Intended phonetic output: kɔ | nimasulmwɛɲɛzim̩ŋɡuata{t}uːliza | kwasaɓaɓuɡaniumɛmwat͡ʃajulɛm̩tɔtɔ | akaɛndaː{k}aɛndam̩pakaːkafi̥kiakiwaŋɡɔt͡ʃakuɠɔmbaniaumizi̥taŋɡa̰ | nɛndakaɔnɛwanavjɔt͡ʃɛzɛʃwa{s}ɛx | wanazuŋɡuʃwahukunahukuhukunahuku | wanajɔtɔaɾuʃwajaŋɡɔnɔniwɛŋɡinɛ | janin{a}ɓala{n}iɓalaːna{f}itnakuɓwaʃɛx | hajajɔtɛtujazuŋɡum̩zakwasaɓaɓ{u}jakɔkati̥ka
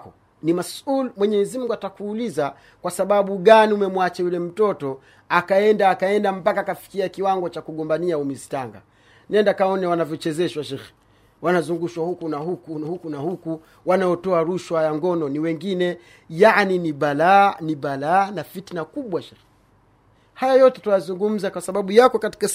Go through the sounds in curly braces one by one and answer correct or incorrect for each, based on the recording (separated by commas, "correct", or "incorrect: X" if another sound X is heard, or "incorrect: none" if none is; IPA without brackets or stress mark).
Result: incorrect: k, correct, incorrect: ʃ, incorrect: i, correct, correct, correct